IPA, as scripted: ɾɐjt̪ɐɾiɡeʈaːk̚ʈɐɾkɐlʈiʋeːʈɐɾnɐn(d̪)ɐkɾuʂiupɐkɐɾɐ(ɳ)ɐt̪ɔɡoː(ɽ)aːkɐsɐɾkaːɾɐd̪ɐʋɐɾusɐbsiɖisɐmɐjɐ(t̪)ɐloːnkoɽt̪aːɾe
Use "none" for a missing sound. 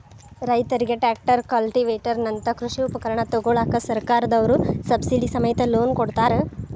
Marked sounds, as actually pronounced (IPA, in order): t̪, ɳ, ɭ, t̪

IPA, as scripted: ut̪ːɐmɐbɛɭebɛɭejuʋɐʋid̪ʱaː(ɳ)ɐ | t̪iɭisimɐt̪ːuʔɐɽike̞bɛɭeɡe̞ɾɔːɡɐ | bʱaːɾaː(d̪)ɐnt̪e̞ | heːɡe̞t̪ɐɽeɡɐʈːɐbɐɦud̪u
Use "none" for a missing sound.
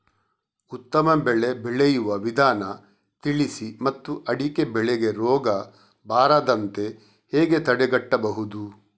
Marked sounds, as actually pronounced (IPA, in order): n, d̪

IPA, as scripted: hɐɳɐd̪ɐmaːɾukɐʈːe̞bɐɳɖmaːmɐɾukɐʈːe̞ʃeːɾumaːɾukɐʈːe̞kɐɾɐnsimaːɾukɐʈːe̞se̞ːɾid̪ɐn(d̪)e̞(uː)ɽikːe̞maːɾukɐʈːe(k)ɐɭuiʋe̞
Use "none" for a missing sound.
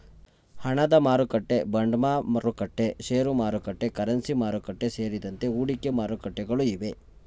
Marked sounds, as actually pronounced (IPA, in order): t̪, uː, ɡ

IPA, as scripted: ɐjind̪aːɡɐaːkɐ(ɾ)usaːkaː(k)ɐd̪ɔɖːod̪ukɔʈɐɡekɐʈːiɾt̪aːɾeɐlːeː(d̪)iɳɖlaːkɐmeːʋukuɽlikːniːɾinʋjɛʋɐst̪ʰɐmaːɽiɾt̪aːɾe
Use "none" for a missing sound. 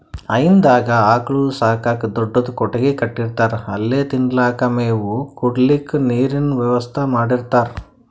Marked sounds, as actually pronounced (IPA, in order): ɭ, k, t̪

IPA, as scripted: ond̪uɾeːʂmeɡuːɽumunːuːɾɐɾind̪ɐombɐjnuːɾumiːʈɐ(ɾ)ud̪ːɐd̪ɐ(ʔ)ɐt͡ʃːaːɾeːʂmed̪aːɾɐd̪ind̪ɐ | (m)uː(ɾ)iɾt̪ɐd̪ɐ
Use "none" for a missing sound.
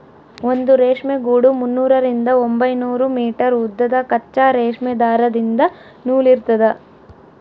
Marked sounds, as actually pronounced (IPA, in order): ɾ, k, n, l

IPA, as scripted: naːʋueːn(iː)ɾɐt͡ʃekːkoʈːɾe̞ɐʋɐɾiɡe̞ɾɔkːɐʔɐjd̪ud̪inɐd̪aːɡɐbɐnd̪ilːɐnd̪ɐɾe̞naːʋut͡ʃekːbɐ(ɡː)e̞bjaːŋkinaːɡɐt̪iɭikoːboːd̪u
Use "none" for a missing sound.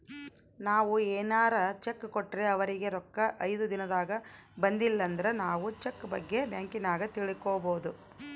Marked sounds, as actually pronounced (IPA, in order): aː, ɡː

